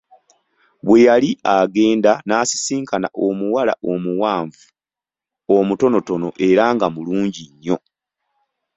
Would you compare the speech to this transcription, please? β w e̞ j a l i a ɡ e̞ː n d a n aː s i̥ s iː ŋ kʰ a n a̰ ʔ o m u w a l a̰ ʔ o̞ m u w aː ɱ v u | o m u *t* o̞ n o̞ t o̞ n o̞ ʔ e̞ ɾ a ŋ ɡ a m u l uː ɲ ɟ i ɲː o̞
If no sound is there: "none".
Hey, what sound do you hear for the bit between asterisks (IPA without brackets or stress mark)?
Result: t